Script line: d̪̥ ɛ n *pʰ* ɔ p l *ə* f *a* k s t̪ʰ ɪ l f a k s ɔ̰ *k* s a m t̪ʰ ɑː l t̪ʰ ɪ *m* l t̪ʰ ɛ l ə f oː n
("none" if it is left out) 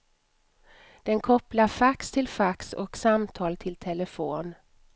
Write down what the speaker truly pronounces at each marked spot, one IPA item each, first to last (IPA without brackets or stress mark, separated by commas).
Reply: kʰ, a, a, k, none